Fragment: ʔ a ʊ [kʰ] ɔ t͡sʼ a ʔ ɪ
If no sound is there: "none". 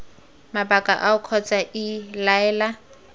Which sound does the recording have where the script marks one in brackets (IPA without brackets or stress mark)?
kʰ